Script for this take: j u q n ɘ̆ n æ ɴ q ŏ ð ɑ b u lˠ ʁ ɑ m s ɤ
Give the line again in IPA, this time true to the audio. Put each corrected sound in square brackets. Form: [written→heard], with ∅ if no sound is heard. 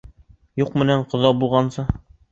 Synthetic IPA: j u q [n→m] ɘ̆ n æ ɴ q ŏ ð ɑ b u lˠ ʁ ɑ [m→n] s ɤ